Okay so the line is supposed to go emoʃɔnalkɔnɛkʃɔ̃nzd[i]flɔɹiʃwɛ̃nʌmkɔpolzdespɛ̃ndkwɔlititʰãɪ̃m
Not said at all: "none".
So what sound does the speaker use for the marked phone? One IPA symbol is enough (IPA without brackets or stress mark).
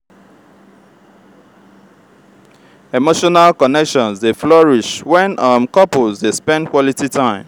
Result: e